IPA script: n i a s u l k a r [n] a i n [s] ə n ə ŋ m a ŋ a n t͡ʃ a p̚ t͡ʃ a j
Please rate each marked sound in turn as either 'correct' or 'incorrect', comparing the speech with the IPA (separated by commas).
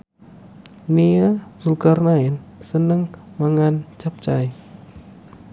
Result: correct, correct